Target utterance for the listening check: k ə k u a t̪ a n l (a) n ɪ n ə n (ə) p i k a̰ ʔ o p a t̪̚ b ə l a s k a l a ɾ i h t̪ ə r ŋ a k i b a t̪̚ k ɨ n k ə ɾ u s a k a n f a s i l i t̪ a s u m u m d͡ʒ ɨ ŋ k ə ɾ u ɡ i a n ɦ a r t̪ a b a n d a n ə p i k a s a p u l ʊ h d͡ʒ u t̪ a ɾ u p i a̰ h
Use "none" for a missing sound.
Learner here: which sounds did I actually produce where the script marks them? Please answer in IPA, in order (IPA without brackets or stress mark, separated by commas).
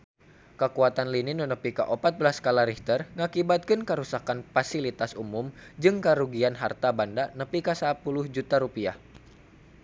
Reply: i, ə